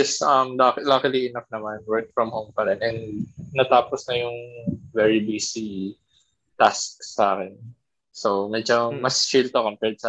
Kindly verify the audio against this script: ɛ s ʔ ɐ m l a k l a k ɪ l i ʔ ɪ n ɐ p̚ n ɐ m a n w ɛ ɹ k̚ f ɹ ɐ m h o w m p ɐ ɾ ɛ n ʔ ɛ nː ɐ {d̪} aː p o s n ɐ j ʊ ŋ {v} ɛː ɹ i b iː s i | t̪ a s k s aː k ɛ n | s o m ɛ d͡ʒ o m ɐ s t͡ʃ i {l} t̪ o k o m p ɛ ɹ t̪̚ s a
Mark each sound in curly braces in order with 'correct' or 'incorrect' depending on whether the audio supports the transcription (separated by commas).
incorrect, correct, correct